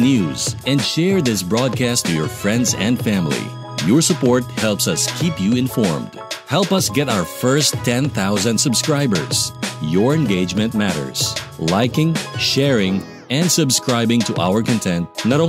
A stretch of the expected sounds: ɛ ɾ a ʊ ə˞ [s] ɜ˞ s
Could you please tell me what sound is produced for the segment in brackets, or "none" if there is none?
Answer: f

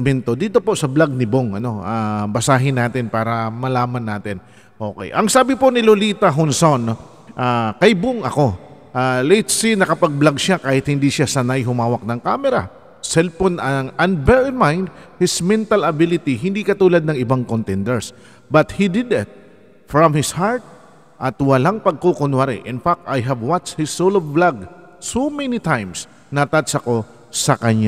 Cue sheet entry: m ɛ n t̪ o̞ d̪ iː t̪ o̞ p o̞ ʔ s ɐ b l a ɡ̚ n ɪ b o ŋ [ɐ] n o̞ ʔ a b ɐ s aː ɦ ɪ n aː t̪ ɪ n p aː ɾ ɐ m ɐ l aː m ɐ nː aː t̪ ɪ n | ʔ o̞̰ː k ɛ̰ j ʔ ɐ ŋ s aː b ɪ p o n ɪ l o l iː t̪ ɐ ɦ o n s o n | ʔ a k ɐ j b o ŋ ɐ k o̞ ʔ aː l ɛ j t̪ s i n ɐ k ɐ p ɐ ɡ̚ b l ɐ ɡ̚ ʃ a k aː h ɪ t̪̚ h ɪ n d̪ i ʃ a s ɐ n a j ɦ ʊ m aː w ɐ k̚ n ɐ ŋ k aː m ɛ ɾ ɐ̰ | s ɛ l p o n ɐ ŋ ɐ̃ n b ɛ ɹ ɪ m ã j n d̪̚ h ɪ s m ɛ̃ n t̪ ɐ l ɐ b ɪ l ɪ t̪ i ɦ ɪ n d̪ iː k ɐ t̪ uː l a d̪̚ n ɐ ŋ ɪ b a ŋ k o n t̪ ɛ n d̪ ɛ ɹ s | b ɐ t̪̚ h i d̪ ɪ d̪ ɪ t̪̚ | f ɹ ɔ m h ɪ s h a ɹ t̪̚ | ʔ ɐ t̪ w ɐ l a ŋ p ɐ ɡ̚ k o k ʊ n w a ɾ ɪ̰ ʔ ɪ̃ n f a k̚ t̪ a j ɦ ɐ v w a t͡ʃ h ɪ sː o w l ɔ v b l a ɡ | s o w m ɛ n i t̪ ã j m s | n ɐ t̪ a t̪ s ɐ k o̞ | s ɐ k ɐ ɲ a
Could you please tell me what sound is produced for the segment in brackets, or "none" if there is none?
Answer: ɐ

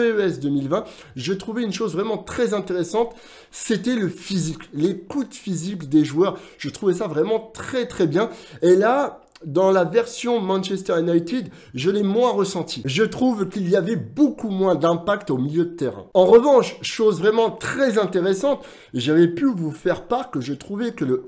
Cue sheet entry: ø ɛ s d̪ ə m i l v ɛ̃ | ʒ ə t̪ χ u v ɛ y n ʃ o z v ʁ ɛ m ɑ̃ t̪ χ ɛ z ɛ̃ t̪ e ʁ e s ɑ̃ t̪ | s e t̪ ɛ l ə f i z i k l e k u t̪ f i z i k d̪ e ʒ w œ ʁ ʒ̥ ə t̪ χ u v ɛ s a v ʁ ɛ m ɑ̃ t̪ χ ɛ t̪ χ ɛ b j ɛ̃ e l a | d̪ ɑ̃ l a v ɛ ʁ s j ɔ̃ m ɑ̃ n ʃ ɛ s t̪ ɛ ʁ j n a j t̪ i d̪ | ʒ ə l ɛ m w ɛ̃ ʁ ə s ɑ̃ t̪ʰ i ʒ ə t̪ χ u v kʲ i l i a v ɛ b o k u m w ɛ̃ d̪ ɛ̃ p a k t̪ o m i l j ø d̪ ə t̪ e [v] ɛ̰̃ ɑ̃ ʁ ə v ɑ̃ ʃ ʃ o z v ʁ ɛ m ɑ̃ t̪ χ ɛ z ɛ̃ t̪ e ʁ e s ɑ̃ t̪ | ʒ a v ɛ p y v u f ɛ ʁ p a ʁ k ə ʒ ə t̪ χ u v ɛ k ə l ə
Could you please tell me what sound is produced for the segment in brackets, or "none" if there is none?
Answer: ʁ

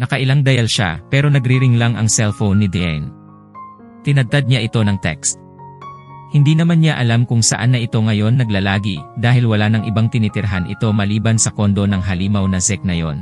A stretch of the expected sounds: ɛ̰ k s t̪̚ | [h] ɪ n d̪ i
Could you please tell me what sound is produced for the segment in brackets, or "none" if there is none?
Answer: h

